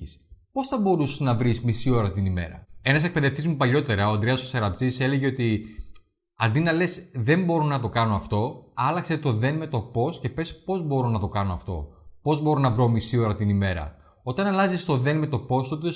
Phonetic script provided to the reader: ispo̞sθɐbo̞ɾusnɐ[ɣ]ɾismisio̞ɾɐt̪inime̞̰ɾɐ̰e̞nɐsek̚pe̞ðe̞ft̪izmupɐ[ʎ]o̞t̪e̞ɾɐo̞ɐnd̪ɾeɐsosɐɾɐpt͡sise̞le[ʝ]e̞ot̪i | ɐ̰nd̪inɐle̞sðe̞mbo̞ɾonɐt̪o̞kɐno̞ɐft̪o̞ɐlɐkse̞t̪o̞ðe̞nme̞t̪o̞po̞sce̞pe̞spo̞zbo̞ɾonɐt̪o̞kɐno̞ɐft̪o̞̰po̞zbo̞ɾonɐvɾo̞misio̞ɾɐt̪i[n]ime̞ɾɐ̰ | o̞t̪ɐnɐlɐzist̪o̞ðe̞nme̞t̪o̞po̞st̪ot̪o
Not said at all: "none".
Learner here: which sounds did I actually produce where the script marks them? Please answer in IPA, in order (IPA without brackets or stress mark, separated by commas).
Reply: v, ʎ, ʝ, n